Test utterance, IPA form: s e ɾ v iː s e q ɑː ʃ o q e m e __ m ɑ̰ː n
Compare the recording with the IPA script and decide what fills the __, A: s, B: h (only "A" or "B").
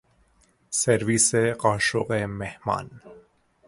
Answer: B